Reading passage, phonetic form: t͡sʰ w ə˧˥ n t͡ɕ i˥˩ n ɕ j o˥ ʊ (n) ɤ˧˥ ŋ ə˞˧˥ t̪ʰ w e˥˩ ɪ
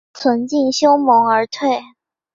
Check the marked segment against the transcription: incorrect: m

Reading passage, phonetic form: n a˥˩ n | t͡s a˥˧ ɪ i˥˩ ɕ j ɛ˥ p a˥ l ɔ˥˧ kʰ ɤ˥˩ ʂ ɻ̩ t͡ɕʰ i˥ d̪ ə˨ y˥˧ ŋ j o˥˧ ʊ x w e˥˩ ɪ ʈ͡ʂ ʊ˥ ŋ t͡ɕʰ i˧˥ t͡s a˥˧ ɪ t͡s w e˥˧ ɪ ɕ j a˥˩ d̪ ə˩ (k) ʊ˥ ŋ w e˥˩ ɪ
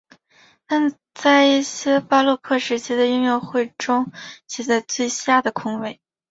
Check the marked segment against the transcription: incorrect: kʰ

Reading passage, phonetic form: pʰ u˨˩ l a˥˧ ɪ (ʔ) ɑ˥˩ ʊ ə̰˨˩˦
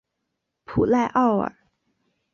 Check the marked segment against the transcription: correct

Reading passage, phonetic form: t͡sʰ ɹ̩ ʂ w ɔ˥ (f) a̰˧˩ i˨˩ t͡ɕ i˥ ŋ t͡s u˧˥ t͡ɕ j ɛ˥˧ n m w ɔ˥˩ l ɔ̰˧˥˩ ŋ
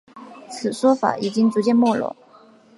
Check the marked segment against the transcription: correct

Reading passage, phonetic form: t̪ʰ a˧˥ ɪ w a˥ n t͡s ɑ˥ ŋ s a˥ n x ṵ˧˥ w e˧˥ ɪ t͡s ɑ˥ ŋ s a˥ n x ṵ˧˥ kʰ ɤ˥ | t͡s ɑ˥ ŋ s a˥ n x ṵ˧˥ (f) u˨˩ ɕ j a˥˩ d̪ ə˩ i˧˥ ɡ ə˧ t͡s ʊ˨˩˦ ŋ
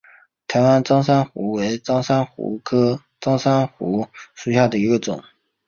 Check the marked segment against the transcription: incorrect: ʂ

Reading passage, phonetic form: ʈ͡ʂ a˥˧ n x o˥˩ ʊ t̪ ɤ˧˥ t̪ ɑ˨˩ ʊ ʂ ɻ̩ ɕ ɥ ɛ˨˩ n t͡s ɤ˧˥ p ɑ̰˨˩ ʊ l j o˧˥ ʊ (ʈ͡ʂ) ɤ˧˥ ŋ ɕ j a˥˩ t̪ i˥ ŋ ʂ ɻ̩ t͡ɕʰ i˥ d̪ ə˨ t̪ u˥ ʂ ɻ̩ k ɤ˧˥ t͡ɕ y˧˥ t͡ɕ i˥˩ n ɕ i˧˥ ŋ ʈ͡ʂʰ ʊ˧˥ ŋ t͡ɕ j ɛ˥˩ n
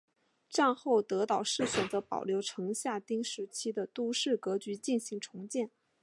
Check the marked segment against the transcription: incorrect: ʈ͡ʂʰ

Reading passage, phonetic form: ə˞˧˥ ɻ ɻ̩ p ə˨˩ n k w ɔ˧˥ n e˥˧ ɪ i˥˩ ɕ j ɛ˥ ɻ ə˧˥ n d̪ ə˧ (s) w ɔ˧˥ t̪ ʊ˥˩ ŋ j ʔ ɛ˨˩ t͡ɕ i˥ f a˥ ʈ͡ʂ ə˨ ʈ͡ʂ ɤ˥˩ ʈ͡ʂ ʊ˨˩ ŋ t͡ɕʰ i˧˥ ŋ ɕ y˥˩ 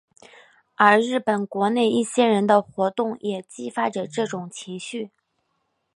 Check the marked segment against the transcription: incorrect: x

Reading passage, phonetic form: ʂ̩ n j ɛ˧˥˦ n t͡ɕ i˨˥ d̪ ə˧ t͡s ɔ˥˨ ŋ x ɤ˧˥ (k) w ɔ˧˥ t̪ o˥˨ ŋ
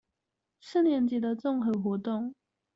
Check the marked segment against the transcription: incorrect: x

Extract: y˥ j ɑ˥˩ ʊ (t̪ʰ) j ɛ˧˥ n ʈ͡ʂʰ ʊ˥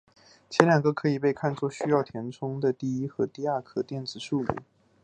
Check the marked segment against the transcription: correct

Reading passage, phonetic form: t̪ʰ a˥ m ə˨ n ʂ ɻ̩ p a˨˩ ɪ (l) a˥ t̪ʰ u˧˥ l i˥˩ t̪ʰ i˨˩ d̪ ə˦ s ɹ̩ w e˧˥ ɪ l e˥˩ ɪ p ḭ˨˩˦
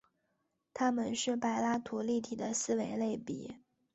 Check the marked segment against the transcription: correct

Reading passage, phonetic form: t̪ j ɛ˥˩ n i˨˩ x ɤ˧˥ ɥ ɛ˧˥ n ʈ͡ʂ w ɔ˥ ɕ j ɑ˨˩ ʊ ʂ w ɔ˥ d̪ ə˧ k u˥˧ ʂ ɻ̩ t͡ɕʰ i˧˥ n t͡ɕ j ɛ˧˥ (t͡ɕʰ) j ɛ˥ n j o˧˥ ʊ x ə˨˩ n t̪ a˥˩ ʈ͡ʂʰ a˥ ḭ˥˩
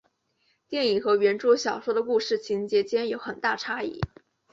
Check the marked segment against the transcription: incorrect: t͡ɕ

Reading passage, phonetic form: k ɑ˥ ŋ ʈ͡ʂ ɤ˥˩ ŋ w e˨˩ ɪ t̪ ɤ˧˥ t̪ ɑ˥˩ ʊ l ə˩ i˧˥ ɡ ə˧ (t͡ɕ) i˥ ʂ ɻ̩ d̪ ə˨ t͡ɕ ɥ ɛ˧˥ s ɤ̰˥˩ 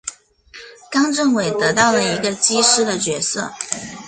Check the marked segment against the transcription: correct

